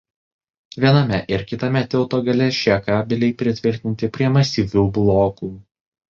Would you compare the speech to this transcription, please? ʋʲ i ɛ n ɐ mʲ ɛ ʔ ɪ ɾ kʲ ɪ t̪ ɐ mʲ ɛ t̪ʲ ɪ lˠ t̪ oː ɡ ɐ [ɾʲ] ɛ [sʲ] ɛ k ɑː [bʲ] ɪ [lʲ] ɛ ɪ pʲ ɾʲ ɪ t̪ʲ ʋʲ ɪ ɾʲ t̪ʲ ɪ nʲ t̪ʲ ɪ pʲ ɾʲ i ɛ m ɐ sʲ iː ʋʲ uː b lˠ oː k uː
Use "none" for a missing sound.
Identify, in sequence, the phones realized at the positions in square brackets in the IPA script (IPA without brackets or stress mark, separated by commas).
lʲ, ʃʲ, bʲ, lʲ